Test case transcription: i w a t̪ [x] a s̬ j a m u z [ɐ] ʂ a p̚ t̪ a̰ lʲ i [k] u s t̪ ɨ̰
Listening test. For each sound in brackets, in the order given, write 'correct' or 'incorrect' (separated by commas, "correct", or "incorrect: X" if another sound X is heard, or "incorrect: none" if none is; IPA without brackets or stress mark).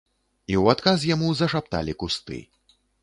incorrect: k, correct, correct